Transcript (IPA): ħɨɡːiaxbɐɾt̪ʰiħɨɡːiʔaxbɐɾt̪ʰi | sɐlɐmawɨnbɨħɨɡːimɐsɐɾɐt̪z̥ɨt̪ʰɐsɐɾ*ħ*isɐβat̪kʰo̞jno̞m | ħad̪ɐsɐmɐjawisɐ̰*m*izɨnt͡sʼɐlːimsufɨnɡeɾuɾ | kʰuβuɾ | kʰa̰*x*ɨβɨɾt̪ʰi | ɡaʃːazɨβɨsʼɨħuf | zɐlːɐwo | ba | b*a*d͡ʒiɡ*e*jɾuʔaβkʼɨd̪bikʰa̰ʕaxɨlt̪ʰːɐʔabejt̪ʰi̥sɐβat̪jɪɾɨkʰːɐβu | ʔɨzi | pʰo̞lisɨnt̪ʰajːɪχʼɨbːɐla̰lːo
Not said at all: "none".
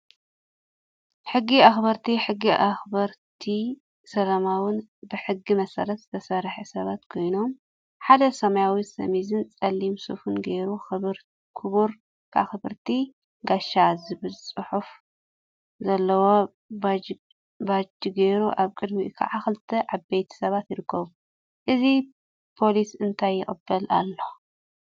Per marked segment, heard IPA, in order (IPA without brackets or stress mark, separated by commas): ħ, m, x, a, e